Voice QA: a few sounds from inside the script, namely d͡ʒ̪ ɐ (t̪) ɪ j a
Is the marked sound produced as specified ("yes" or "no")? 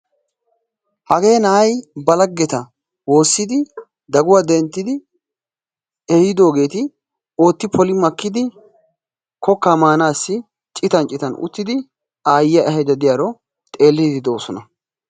no